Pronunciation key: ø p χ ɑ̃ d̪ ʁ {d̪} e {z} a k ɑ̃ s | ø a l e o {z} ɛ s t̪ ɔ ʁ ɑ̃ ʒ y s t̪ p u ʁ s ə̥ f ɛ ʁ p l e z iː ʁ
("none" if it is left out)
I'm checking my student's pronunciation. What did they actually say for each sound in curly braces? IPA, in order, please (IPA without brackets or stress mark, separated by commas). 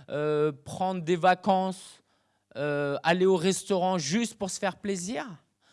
d̪, v, ʁ